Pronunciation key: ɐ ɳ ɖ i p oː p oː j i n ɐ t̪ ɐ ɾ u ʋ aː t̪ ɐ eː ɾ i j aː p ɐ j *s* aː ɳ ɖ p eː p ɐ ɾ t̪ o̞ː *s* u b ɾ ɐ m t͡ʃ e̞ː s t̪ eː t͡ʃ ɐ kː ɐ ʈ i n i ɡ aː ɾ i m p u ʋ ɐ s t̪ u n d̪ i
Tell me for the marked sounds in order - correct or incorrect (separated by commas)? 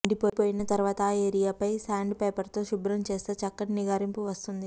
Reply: correct, incorrect